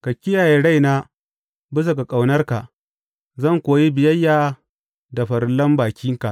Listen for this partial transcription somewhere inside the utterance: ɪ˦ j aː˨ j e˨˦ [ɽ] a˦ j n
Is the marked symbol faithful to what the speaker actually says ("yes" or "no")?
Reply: yes